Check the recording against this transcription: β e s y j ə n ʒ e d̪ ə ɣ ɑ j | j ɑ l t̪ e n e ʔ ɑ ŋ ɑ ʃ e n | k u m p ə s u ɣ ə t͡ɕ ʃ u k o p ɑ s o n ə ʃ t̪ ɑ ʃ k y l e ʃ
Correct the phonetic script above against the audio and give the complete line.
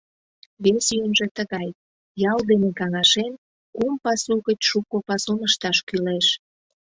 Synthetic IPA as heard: β e s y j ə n ʒ e t̪ ə ɣ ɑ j | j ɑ l d̪ e n e k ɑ ŋ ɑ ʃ e n | k u m p ɑ s u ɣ ə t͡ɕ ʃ u k o p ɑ s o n ə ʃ t̪ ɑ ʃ k y l e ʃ